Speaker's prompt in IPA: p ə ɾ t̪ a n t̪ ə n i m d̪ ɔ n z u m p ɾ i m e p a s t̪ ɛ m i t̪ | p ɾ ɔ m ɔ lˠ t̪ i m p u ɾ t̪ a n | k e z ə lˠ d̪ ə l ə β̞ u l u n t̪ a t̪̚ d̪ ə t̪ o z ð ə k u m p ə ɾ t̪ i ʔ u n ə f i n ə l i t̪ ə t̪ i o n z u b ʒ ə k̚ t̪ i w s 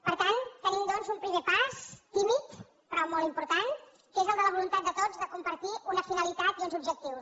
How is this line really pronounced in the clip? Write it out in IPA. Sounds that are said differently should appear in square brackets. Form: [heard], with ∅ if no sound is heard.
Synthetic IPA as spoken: p ə ɾ t̪ a n t̪ ə n i m d̪ ɔ n z u m p ɾ i m e p a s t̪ [i] m i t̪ | p ɾ ɔ m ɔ lˠ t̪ i m p u ɾ t̪ a n | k e z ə lˠ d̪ ə l ə β̞ u l u n t̪ a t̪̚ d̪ ə t̪ o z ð ə k u m p ə ɾ t̪ i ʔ u n ə f i n ə l i t̪ [a] t̪ i [u] n z u b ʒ ə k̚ t̪ i w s

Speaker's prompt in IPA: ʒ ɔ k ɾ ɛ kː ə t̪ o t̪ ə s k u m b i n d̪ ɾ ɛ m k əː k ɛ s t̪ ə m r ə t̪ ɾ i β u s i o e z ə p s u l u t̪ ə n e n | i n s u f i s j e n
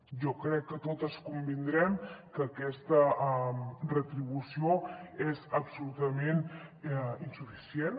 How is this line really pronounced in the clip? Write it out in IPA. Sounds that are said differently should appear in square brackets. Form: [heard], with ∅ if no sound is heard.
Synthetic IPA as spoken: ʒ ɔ k ɾ ɛ kː ə t̪ o t̪ ə s k u m b i n d̪ ɾ ɛ m k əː k ɛ s t̪ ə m r ə t̪ ɾ i β u s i o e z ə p s u l u t̪ ə [m] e n | i n s u f i s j e n

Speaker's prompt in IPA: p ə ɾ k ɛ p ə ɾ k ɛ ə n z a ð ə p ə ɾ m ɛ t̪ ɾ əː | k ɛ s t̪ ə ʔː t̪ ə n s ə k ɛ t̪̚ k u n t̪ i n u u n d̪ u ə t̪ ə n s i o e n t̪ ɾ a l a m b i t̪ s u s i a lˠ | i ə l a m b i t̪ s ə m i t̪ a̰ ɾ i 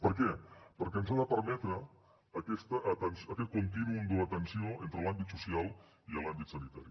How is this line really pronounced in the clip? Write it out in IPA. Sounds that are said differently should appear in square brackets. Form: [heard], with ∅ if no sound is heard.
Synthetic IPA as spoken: p ə ɾ k ɛ p ə ɾ k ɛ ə n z a ð ə p ə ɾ m ɛ t̪ ɾ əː | k ɛ s t̪ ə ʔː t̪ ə n s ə k ɛ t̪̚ k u n t̪ i n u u n d̪ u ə t̪ ə n s i o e n t̪ ɾ [ə] l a m b i t̪ s u s i a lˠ | i ə l a m b i t̪ s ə [n] i t̪ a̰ ɾ i

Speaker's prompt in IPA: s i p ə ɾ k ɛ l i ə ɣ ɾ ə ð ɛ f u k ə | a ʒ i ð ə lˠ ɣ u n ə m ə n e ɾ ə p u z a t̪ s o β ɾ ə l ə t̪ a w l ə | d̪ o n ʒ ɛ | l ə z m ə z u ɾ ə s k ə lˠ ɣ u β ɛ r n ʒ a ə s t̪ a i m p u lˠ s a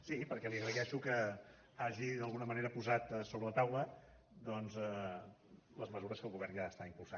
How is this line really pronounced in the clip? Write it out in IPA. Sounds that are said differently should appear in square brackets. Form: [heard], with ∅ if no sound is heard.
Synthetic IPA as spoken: s i p ə ɾ k ɛ l i ə ɣ ɾ ə ð ɛ [ʃ] u k ə | a ʒ i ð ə lˠ ɣ u n ə m ə n e ɾ ə p u z a t̪ s o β ɾ ə l ə t̪ a w l ə | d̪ [ɔ] n [z] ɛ | l ə z m ə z u ɾ ə s k ə lˠ ɣ u β ɛ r n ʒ a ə s t̪ a i m p u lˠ s a

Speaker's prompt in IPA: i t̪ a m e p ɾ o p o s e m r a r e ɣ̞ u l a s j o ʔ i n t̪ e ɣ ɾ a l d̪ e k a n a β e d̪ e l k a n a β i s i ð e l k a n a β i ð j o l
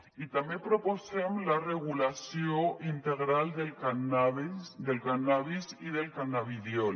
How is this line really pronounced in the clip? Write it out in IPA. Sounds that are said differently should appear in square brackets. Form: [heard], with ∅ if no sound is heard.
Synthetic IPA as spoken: i t̪ a m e p ɾ o p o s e m [l] a r e ɣ̞ u l a s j o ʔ i n t̪ e ɣ ɾ a l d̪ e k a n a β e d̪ e l k a n a β i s i ð e l k a n a β i ð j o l

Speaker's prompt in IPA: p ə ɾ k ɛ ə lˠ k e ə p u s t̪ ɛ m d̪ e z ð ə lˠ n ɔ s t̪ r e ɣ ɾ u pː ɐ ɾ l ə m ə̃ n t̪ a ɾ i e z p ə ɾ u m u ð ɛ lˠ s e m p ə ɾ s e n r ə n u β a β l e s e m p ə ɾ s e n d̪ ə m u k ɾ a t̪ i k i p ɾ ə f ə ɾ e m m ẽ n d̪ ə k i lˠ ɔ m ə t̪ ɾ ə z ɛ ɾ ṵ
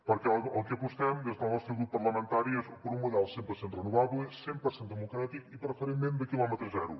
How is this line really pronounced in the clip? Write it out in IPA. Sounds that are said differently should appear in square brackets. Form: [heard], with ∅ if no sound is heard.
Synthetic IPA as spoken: p ə ɾ k ɛ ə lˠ k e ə p u s t̪ ɛ m d̪ e z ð ə lˠ n ɔ s t̪ [ɾ] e ɣ ɾ u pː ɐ ɾ l ə m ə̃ n t̪ a ɾ i e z p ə ɾ u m u ð ɛ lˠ s e m p ə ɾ s e n r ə n u β a β l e s e m p ə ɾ s e n d̪ ə m u k ɾ a t̪ i k i p ɾ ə f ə ɾ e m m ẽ n d̪ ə k i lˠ ɔ m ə t̪ ɾ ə z ɛ ɾ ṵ

